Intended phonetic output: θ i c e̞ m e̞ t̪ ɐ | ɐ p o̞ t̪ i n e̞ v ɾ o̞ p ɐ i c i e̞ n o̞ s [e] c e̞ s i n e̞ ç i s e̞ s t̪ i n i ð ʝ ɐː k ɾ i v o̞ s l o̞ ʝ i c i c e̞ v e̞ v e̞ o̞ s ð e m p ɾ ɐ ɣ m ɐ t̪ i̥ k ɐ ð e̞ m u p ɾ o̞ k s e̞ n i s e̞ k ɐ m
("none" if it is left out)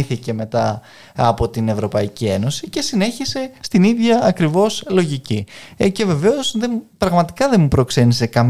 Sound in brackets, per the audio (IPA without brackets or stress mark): i